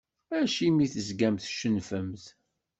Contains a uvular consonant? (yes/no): no